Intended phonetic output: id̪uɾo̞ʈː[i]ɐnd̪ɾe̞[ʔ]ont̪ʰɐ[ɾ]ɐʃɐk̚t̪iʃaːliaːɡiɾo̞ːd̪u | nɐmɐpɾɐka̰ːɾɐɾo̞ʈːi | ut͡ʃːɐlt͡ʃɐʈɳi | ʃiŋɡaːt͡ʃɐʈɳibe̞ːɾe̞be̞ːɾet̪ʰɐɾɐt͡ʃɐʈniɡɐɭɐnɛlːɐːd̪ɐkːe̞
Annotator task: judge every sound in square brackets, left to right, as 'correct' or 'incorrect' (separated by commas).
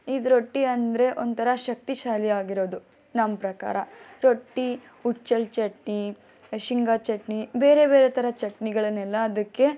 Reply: correct, correct, correct